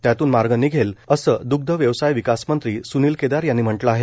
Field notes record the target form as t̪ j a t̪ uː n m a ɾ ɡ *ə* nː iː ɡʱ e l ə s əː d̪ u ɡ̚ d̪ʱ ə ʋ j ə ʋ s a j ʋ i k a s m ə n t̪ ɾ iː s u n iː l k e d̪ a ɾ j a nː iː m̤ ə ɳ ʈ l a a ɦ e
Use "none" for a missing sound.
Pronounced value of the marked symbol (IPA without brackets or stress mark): ə